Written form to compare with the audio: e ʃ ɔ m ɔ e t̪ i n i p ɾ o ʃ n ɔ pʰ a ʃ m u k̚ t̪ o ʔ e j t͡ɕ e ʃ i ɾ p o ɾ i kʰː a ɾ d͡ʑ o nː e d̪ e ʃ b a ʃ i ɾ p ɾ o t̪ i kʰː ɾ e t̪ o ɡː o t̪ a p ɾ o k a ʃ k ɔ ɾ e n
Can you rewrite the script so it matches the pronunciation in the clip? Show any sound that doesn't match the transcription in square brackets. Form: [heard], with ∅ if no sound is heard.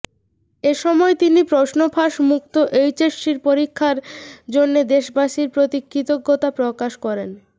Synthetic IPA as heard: e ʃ ɔ m ɔ e t̪ i n i p ɾ o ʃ n [o] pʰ a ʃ m u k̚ t̪ o ʔ e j t͡ɕ e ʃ i ɾ p o ɾ i kʰː a ɾ d͡ʑ o nː e d̪ e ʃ b a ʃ i ɾ p ɾ o t̪ i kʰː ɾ [i] t̪ o ɡː o t̪ a p ɾ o k a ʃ k ɔ ɾ e n